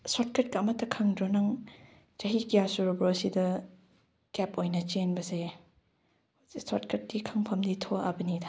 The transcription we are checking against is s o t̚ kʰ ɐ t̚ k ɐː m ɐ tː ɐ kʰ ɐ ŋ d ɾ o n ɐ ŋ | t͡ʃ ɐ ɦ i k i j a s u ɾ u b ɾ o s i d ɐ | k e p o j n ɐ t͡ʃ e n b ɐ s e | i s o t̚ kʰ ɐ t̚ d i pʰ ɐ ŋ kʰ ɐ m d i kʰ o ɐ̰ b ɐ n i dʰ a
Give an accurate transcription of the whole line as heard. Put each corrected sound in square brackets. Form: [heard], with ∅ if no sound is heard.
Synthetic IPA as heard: s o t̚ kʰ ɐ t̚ k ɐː m ɐ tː ɐ kʰ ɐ ŋ d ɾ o n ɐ ŋ | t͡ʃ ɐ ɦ i k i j a s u ɾ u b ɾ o s i d ɐ | k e p o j n ɐ t͡ʃ e n b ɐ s e | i s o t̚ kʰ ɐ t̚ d i [kʰ] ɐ ŋ [pʰ] ɐ m d i [tʰ] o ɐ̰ b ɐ n i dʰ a